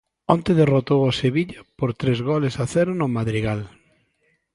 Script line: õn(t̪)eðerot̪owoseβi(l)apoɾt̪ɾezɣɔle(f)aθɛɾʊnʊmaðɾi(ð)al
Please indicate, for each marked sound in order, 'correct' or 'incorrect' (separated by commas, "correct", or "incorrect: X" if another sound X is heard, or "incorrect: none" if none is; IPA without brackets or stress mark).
correct, incorrect: ʎ, incorrect: s, incorrect: ɣ